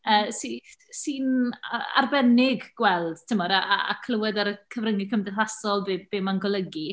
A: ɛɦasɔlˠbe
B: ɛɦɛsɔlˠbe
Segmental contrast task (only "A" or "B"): A